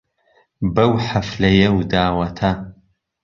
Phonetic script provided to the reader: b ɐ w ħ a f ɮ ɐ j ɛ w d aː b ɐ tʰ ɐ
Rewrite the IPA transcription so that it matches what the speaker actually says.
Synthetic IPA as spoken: b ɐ w ħ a f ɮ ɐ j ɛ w d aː w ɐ tʰ a